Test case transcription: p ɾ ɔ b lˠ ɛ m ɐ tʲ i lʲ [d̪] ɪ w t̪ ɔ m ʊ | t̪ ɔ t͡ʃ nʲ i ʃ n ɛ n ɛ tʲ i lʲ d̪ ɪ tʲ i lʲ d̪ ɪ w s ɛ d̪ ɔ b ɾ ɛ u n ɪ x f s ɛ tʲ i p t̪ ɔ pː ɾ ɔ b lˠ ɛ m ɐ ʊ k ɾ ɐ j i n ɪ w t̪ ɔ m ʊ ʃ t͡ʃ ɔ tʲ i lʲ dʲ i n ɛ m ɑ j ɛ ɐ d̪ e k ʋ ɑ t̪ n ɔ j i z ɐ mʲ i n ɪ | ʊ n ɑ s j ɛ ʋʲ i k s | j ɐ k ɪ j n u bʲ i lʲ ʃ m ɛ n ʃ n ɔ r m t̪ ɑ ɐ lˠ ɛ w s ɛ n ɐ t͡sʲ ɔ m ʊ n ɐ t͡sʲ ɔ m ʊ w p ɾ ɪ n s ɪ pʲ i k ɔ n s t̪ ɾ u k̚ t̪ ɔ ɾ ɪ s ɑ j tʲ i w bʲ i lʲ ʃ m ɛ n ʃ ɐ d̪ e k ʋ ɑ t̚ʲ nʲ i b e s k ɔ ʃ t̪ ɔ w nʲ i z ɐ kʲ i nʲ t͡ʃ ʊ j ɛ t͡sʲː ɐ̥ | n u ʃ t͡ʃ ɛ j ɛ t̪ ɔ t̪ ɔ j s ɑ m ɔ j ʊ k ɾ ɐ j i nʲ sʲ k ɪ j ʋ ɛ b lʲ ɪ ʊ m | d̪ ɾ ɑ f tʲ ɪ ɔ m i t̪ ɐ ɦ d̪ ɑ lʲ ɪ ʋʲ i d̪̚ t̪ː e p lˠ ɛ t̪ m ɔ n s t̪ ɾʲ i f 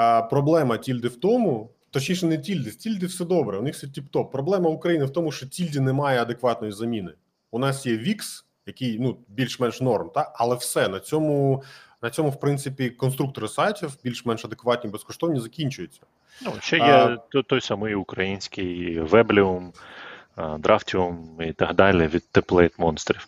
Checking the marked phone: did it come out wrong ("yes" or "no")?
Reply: no